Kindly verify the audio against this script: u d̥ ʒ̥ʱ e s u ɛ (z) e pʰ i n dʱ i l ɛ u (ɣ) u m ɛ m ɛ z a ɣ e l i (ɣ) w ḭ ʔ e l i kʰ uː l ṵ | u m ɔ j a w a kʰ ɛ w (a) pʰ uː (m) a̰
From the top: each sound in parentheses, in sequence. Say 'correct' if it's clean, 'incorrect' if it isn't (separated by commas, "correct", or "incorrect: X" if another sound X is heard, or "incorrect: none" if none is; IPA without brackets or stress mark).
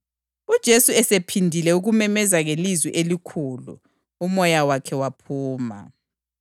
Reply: incorrect: s, correct, incorrect: z, correct, correct